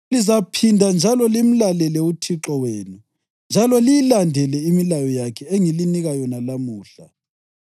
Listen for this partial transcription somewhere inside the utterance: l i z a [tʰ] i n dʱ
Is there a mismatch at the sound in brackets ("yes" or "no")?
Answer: yes